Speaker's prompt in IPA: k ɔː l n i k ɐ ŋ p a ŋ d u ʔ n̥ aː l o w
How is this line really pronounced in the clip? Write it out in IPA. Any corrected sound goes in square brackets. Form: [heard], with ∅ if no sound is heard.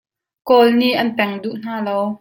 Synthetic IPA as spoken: k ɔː l n i [ʔ] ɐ [n] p [ɛ] ŋ d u ʔ n̥ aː l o w